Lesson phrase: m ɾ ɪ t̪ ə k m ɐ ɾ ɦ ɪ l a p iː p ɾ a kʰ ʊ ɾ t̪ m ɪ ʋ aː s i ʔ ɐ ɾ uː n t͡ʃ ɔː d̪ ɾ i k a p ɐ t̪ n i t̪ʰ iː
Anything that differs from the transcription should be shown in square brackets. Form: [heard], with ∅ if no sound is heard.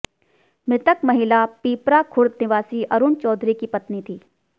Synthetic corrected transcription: m ɾ ɪ t̪ ə k m ɐ [∅] ɦ ɪ l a p iː p ɾ a kʰ ʊ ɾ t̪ [n] ɪ ʋ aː s i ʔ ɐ ɾ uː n t͡ʃ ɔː d̪ ɾ i k [i] p ɐ t̪ n i t̪ʰ iː